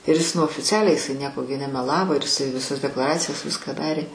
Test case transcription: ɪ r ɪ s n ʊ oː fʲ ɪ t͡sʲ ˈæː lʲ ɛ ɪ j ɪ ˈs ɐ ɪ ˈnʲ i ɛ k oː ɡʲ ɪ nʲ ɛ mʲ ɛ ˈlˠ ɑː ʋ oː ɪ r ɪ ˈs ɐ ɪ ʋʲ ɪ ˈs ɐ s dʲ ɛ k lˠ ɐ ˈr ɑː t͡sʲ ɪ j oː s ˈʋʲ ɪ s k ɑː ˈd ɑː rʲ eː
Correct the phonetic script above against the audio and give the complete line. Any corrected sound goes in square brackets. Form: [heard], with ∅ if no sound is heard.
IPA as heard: ɪ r ɪ s n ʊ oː fʲ ɪ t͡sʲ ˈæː lʲ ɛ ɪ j ɪ ˈs ɐ ɪ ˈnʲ i ɛ k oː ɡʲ ɪ nʲ ɛ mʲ ɛ ˈlˠ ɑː ʋ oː ɪ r ɪ ˈs ɐ ɪ ʋʲ ɪ ˈs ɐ s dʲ ɛ k lˠ ɐ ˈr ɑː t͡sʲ ɪ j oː s ˈʋʲ ɪ s k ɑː ˈd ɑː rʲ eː